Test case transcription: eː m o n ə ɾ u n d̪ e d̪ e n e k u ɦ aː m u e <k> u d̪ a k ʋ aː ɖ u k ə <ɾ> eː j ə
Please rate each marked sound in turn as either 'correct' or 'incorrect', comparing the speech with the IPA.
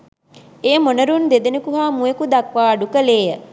correct, incorrect: l

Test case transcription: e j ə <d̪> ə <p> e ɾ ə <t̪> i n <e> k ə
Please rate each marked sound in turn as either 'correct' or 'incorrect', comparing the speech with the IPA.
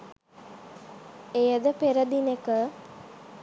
correct, correct, incorrect: d̪, correct

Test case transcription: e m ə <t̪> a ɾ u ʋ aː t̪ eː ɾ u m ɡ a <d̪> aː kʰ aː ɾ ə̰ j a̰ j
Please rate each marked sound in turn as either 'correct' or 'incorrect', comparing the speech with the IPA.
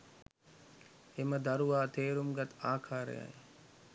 incorrect: d̪, incorrect: t̪

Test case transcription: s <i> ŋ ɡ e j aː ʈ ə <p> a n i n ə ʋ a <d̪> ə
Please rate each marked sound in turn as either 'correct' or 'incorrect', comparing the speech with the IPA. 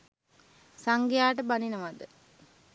incorrect: a, incorrect: b, correct

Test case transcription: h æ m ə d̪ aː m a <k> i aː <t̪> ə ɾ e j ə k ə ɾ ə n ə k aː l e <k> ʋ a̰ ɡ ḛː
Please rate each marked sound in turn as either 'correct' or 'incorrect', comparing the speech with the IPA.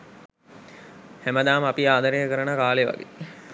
incorrect: p, incorrect: d̪, incorrect: none

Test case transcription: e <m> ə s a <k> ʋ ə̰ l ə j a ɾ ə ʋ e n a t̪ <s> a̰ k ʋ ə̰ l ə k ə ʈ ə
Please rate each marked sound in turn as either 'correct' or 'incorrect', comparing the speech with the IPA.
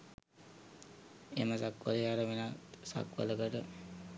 correct, correct, correct

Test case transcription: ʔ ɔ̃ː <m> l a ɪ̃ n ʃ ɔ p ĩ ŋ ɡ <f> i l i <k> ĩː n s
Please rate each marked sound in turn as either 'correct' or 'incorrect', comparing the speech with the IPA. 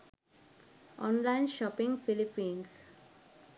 incorrect: n, correct, incorrect: p

